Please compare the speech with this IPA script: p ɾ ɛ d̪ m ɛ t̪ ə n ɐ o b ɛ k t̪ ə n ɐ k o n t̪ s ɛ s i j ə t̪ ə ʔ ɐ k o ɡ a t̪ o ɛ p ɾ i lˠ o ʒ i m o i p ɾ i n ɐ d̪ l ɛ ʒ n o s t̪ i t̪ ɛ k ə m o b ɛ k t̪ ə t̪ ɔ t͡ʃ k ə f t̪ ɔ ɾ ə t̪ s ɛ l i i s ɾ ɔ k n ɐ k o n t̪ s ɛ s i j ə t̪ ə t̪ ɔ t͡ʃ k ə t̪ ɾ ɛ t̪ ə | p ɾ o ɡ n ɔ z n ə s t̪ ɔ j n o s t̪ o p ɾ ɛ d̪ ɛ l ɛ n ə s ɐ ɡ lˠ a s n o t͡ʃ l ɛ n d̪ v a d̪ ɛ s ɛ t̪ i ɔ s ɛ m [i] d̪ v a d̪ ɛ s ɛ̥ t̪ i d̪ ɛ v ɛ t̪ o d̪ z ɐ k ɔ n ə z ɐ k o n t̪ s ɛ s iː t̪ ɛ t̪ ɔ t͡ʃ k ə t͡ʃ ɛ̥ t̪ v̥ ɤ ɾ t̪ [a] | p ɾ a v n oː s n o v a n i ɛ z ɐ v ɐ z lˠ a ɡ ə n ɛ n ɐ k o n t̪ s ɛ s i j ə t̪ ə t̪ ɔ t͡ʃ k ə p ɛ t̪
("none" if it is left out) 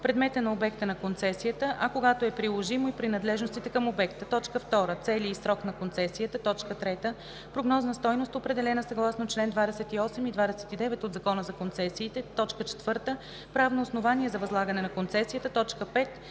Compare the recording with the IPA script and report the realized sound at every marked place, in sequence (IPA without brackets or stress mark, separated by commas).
i, ə